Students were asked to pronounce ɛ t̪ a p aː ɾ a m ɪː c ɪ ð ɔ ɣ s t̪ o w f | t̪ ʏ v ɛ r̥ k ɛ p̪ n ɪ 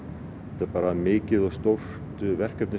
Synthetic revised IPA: ɛ t̪ a p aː ɾ a m ɪː c ɪ ð ɔ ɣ s t̪ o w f | t̪ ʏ v ɛ r̥ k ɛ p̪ n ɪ